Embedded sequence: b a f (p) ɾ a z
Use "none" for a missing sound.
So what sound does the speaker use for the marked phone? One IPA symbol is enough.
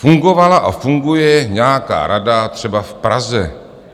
p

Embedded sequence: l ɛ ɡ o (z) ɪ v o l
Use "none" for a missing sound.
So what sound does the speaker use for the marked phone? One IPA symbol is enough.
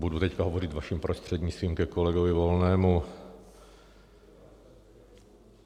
v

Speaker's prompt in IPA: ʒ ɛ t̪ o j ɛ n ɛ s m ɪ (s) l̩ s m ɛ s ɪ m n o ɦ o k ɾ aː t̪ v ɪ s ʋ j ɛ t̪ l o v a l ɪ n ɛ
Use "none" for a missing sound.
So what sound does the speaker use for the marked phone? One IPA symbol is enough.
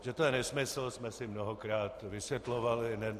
s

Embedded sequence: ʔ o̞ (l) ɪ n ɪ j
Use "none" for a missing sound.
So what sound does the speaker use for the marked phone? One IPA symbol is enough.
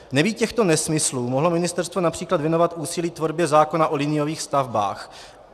l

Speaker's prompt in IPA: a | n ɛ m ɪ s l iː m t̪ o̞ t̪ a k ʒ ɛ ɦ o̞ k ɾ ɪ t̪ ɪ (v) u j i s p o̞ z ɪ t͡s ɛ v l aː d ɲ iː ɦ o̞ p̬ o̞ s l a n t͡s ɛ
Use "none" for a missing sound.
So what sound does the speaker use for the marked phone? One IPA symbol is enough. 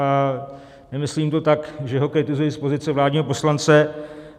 z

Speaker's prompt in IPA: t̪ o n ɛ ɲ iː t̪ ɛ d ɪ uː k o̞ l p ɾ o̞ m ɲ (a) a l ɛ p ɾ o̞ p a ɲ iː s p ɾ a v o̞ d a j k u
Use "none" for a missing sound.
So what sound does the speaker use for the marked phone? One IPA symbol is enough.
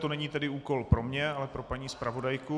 ɛ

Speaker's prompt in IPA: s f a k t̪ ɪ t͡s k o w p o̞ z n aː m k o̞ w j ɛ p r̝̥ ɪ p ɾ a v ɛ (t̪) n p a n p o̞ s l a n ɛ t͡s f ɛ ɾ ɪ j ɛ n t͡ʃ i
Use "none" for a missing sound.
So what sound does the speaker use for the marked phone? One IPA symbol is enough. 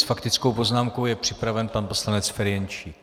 none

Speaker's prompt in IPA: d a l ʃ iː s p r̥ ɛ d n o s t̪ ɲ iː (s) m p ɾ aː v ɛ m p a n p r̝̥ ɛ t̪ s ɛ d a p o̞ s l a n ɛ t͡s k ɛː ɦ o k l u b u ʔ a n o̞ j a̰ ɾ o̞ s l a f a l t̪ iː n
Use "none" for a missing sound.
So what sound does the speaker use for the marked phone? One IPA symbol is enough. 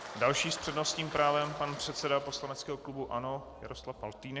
none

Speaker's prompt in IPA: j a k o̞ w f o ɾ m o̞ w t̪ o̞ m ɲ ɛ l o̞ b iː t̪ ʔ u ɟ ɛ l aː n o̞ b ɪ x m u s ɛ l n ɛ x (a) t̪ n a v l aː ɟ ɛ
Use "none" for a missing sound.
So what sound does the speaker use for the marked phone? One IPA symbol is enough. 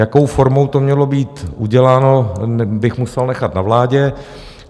a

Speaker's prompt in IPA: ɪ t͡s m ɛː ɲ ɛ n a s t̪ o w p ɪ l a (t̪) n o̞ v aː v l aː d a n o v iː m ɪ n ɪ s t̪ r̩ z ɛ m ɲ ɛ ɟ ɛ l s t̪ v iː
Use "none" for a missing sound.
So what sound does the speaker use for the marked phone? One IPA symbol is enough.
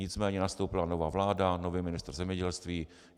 none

